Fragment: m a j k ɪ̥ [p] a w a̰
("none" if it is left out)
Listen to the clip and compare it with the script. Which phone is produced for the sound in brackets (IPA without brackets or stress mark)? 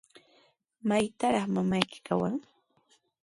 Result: k